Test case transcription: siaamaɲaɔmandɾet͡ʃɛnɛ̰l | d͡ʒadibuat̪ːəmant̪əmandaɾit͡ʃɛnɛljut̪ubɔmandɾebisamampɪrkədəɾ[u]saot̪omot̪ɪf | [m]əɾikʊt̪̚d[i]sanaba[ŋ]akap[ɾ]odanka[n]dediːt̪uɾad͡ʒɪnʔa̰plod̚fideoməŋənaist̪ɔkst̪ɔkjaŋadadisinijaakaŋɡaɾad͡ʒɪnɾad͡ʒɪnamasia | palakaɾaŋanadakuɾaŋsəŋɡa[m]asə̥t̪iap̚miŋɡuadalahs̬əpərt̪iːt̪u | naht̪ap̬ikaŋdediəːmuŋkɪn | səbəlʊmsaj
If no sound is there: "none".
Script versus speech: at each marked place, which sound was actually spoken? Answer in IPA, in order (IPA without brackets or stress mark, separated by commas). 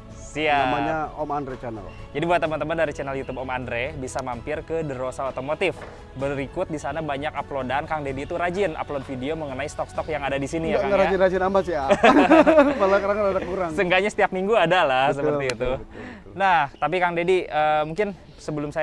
o, b, i, ɲ, l, ŋ, ɲ